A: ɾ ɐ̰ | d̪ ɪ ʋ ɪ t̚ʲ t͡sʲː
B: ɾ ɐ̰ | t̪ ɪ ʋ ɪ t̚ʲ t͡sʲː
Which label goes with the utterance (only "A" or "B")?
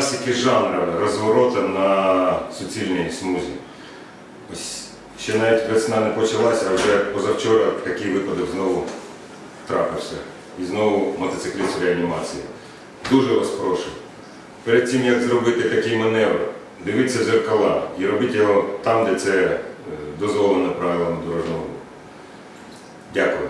A